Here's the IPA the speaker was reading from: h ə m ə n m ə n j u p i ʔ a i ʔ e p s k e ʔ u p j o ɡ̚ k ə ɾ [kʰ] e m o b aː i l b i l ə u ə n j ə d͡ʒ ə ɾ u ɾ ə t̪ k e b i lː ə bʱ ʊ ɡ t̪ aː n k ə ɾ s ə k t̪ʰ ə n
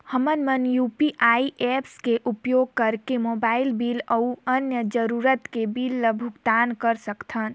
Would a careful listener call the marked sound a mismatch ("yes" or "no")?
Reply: yes